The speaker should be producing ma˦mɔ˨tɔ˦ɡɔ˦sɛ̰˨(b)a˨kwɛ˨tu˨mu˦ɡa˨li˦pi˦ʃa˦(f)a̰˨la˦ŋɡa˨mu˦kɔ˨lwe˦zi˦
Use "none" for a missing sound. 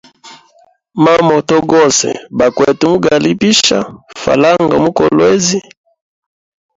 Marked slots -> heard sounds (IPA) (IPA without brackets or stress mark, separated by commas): b, f